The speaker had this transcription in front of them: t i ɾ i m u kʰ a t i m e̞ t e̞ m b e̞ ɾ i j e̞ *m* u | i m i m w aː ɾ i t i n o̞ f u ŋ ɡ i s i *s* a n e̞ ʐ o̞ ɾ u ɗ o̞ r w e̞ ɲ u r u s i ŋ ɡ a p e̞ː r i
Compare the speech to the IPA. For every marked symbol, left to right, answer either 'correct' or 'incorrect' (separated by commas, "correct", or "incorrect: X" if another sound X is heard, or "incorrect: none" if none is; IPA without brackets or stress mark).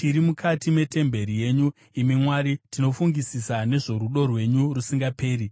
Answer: incorrect: ɲ, correct